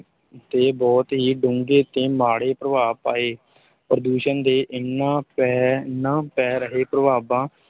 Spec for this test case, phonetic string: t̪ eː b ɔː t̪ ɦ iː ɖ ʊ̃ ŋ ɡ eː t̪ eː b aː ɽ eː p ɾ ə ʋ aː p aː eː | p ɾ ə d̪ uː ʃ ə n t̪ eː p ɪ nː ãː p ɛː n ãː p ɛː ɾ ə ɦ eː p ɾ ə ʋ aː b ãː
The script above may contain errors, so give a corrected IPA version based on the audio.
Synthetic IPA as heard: t̪ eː b ɔː t̪ ɦ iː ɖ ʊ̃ ŋ ɡ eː t̪ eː m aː ɽ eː p ɾ ə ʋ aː p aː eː | p ɾ ə d̪ uː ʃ ə n d̪ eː ʔ ɪ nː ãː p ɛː n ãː p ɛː ɾ ə ɦ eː p ɾ ə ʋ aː b ãː